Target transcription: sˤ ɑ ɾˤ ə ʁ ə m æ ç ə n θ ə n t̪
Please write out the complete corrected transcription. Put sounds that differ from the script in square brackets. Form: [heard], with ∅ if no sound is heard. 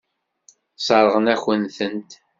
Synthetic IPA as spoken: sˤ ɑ ɾˤ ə ʁ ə [n] æ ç ə n θ ə n t̪